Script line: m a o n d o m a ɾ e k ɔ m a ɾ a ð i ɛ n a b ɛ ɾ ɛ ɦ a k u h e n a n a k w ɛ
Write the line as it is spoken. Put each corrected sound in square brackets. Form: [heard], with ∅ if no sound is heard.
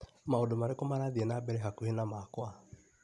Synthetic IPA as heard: m a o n d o m a ɾ e k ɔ m a ɾ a ð i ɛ n a b ɛ ɾ ɛ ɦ a k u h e n a [m] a k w [a]